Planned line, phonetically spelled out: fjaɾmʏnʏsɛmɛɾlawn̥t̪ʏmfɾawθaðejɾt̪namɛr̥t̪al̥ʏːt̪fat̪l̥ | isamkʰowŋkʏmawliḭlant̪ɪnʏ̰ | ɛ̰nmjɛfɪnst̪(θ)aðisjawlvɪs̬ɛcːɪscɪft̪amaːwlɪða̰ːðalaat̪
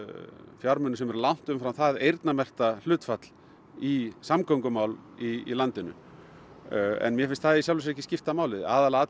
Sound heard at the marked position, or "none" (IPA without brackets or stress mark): θ